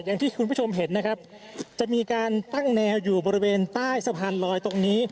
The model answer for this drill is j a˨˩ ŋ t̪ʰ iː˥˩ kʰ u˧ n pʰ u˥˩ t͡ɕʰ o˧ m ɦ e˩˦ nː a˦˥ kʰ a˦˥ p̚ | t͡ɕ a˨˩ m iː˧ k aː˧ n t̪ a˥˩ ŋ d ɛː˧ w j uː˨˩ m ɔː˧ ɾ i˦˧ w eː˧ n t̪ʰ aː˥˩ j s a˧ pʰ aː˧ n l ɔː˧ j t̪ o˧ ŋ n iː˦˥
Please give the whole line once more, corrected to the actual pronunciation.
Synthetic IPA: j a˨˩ ŋ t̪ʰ iː˥˩ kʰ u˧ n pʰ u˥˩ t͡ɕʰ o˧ m ɦ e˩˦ nː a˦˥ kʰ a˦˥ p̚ | t͡ɕ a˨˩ m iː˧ k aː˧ n t̪ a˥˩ ŋ n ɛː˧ w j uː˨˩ b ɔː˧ ɾ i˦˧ w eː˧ n t̪ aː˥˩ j s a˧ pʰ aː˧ n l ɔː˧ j t̪ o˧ ŋ n iː˦˥